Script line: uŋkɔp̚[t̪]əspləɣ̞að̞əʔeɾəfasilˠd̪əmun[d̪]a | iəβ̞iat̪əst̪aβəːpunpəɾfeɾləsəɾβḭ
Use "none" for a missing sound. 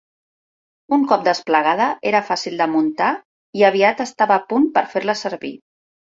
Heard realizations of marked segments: d̪, t̪

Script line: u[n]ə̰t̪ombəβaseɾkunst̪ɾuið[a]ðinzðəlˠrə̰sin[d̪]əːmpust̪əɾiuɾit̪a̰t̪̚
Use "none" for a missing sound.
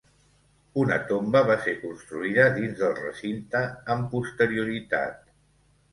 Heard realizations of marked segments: n, ə, t̪

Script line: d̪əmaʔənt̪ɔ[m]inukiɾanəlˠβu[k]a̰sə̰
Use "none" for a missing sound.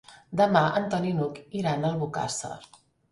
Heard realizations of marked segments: n, k

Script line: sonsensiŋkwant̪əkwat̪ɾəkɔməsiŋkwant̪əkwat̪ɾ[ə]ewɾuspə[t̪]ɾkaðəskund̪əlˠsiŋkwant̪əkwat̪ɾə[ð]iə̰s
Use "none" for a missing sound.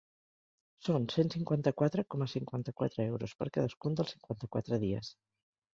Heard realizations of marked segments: ə, none, ð

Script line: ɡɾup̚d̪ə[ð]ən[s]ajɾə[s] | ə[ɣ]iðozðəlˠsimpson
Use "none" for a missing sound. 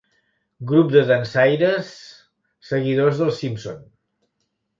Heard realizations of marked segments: ð, s, sː, ɣ

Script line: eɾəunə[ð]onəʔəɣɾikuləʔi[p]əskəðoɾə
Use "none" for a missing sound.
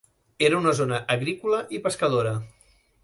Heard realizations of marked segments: z, p

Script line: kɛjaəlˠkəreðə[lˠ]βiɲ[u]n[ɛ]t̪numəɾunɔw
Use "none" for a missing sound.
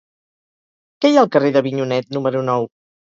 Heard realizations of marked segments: none, u, ɛ

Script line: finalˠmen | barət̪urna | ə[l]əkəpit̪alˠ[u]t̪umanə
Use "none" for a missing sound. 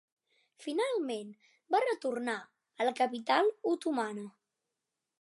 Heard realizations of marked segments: l, u

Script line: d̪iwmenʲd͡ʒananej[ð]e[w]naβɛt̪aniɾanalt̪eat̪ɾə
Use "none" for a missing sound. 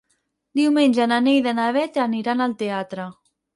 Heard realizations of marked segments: ð, none

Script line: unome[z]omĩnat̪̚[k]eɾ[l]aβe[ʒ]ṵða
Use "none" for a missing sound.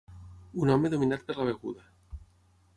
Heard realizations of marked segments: ð, p, l, ɣ

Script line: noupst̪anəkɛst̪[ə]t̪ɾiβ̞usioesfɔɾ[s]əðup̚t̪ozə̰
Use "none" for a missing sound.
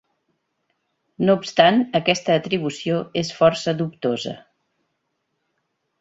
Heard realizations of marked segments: əː, s

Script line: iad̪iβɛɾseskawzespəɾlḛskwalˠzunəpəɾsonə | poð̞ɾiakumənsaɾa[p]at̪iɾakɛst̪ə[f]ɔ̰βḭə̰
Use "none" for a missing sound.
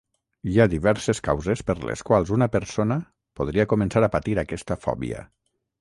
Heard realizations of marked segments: p, f

